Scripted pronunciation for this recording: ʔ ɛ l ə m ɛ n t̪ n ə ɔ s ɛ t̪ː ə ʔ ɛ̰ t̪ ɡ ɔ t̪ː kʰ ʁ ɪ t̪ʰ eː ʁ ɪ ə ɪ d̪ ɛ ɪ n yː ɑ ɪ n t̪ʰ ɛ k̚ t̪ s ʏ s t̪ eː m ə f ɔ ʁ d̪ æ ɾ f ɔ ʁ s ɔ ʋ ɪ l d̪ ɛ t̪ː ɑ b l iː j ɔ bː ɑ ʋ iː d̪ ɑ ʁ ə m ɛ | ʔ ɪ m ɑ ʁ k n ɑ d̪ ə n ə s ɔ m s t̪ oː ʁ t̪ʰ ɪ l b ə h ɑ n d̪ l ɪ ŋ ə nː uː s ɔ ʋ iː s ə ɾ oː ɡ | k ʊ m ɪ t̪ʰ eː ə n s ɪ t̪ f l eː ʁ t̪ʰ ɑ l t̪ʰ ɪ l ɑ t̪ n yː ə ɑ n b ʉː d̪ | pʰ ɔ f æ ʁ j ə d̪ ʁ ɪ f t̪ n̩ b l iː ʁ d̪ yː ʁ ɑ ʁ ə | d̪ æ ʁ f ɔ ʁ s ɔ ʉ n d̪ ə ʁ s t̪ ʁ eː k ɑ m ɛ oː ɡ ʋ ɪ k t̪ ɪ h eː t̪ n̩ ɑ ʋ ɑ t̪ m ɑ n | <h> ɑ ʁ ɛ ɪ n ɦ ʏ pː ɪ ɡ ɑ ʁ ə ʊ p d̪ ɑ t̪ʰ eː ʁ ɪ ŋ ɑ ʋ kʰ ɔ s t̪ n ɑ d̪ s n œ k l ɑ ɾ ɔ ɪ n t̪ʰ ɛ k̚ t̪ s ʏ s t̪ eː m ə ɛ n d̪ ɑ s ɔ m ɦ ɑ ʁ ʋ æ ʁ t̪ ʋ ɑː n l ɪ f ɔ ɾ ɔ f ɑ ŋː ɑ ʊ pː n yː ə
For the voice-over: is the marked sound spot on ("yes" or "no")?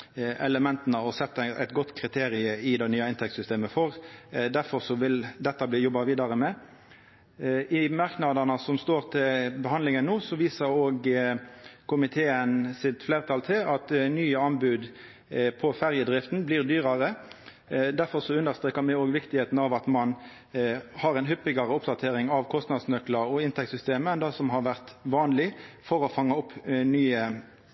yes